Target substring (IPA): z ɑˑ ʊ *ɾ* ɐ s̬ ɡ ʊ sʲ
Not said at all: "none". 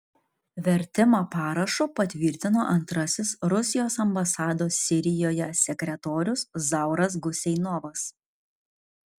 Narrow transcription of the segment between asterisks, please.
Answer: ɾ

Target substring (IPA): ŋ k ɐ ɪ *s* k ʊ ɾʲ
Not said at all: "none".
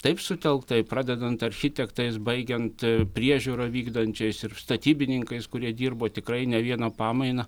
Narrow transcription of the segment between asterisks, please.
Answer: s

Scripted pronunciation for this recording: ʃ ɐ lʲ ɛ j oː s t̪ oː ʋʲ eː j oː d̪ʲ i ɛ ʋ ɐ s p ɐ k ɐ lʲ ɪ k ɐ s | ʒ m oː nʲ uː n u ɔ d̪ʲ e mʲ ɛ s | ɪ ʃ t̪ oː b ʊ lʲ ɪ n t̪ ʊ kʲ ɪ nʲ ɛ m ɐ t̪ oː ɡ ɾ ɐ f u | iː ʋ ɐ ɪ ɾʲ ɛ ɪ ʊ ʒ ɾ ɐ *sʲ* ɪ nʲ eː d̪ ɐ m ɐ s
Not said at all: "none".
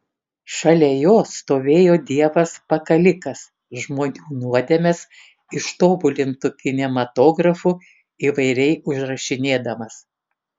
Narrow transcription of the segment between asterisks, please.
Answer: ʃʲ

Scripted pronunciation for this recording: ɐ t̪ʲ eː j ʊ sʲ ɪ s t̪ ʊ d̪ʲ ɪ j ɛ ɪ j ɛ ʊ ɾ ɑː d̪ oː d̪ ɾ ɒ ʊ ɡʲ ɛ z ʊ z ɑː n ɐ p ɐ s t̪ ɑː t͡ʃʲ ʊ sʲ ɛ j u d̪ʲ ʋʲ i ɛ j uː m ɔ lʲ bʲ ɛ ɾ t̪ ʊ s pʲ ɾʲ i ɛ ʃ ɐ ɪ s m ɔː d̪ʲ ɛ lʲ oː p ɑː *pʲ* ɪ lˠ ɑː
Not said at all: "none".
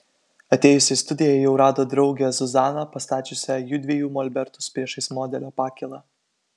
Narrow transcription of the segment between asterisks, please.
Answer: kʲ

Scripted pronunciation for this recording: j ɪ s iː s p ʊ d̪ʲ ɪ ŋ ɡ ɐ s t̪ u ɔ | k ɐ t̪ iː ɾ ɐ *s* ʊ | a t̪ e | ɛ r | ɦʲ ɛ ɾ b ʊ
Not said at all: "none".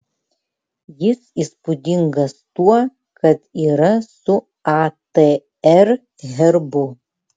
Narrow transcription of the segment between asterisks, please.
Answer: s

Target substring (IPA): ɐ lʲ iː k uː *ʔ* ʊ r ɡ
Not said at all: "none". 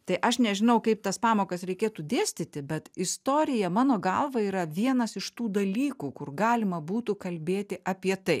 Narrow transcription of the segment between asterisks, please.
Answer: k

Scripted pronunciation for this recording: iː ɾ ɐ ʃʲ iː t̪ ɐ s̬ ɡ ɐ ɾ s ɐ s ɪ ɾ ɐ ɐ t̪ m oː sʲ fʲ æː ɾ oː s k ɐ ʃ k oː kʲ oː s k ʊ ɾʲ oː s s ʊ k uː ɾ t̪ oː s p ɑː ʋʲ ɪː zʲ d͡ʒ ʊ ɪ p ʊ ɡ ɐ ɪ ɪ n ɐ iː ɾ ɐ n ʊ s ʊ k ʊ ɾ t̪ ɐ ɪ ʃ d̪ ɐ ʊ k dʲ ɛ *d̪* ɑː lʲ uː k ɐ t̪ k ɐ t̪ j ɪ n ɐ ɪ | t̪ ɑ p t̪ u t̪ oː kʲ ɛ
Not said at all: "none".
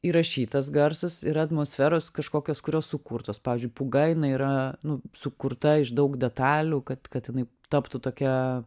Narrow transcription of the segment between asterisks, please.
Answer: t̪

